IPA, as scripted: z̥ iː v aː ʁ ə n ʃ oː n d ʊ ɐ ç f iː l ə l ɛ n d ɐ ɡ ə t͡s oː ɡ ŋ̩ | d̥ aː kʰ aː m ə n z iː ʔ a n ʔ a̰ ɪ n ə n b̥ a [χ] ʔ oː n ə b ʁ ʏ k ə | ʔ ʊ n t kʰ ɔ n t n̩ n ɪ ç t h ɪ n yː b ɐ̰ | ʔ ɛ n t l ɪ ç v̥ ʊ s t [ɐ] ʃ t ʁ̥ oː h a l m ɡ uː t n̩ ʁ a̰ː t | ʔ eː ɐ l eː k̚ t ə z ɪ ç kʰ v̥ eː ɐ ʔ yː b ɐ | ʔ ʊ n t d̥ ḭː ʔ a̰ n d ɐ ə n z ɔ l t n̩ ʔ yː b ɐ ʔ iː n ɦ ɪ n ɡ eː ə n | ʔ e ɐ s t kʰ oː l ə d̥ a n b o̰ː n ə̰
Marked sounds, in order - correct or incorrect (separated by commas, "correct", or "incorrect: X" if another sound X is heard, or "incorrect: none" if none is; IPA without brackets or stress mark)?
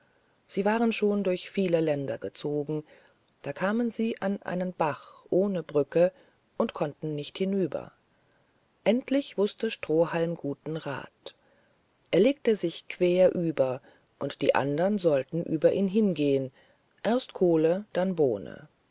correct, incorrect: ə